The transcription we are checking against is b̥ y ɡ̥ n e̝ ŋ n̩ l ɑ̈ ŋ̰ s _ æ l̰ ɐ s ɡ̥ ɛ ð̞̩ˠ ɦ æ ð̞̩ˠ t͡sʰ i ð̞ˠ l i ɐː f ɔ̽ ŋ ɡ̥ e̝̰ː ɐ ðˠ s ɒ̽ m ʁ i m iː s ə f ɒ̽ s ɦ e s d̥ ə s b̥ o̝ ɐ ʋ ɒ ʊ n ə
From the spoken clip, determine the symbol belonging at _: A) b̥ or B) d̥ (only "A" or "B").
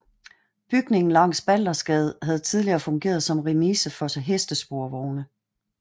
A